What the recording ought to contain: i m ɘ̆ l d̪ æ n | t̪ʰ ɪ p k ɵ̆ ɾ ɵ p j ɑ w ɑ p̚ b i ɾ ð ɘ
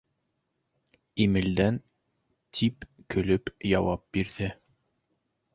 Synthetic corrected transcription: i m ɘ̆ l d̪ æ n | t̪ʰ i p k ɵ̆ l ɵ p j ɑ w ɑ p̚ b i ɾ ð ɘ